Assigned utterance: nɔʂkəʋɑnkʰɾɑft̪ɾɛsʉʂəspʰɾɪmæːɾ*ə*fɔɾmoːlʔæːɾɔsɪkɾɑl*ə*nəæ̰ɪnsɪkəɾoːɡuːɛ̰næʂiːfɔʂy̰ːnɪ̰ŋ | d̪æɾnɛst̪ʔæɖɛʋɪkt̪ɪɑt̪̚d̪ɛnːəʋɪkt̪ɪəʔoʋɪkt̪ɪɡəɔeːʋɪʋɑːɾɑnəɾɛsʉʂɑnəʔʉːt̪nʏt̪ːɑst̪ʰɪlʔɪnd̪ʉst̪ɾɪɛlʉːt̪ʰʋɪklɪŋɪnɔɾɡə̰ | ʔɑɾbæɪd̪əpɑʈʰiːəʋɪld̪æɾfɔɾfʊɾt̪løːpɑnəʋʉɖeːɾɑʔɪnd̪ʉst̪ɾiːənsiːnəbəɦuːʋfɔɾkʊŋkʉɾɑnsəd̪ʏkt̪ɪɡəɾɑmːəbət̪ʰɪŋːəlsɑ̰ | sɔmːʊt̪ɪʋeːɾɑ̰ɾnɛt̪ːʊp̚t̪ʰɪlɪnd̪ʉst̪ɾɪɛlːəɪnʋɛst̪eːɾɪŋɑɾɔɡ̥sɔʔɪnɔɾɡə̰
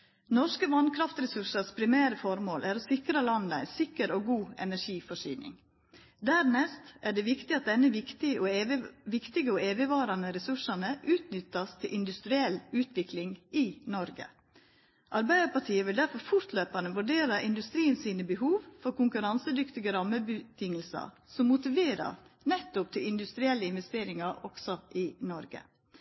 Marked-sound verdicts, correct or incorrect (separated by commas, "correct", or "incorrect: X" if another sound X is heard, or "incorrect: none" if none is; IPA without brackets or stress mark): correct, incorrect: ɑ